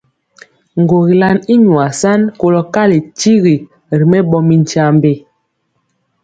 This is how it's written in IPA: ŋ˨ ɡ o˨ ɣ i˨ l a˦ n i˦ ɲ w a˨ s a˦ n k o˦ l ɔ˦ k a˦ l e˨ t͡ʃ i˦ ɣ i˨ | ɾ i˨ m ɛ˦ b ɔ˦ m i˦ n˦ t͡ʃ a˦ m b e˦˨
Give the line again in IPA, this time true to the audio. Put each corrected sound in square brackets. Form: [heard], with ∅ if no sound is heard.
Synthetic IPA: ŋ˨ ɡ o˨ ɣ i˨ l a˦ n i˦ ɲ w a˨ s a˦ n k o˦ l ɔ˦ k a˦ l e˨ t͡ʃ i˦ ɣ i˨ | ɾ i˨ m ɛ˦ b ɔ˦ m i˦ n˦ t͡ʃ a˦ m b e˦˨